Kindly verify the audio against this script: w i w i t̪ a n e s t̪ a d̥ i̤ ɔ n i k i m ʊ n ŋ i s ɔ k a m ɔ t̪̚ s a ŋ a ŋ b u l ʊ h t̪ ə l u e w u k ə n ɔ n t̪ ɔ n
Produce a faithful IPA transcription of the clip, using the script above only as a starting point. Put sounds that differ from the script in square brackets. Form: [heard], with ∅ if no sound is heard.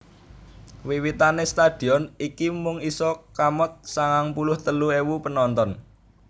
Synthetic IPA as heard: w i w i t̪ a n e s t̪ a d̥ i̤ ɔ n i k i m ʊ [∅] ŋ i s ɔ k a m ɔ t̪̚ s a ŋ a ŋ [p] u l ʊ h t̪ ə l u e w u [p] ə n ɔ n t̪ ɔ n

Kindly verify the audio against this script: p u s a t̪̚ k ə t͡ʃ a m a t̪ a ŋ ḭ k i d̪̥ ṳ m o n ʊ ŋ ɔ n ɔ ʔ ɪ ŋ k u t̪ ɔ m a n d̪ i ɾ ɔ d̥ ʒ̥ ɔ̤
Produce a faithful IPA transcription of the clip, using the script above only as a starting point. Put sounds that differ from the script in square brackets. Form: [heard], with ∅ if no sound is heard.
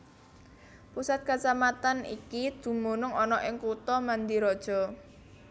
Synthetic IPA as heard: p u s a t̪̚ k [a] t͡ʃ a m a t̪ a [n] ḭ k i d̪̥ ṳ m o n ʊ ŋ ɔ n ɔ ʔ ɪ ŋ k u t̪ ɔ m a n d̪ i ɾ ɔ d̥ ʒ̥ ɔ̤

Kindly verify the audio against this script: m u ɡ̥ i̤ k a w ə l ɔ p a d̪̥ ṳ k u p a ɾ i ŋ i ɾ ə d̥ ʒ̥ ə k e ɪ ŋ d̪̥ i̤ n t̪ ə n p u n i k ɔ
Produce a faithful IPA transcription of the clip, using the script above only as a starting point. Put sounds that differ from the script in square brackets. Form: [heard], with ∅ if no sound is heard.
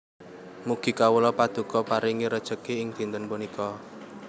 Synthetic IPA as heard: m u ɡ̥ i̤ k a w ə l ɔ p a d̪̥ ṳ k [ɔ] p a ɾ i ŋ i ɾ ə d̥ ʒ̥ ə k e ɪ ŋ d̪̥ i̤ n t̪ ə n p u n i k ɔ

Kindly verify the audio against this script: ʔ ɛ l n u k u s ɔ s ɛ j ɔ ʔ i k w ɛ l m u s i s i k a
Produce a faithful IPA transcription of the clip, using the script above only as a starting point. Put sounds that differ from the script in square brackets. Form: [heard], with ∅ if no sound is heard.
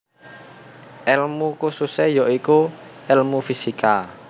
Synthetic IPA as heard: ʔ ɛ l [m] u k u s [u] s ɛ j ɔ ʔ i k [u] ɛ l m u [f] i s i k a

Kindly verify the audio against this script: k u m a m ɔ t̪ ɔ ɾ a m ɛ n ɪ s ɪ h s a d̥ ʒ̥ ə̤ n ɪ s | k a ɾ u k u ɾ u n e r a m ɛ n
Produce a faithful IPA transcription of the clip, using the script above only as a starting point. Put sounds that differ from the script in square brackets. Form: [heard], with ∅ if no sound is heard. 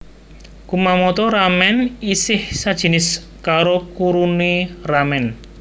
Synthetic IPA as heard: k u m a m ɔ t̪ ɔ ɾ a m ɛ n [i] s ɪ h s a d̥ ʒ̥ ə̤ n ɪ s | k a ɾ [o] k u ɾ u n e r a m ɛ n

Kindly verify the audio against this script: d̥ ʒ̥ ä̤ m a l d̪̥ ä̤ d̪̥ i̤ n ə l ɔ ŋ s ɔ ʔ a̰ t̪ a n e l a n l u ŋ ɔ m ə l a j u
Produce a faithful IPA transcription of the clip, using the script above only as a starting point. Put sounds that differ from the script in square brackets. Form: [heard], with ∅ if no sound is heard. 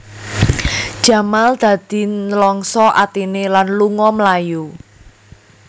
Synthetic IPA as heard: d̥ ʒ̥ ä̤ m a l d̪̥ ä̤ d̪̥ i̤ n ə l ɔ ŋ s ɔ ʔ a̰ t̪ [i] n e l a n l u ŋ ɔ m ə l a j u

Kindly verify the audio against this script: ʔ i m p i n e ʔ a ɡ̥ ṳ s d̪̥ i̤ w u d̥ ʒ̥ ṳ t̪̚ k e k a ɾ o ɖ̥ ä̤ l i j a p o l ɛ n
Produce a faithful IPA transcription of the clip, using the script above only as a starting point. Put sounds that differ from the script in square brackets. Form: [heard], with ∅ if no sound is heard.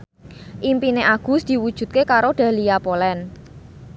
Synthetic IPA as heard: ʔ i m p i n e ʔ a ɡ̥ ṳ s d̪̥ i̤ w u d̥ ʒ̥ ṳ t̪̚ k e k a ɾ o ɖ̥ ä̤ l i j a p o l ɛ n

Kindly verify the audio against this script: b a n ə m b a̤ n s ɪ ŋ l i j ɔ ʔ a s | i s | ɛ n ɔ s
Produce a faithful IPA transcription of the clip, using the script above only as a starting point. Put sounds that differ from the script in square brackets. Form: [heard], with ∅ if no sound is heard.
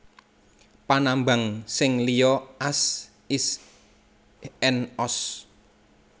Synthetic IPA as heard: [p] a n [a] m b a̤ [ŋ] s ɪ ŋ l i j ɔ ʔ a s | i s | ɛ n ɔ s

